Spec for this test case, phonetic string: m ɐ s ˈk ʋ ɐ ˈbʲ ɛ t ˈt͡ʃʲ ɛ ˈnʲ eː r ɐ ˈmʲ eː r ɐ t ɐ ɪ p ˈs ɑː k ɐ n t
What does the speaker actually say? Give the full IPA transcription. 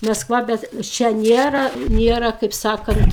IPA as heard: m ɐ s ˈk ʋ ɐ ˈbʲ ɛ t ˈt͡ʃʲ ɛ ˈnʲ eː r ɐ ˈnʲ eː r ɐ k ɐ ɪ p ˈs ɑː k ɐ n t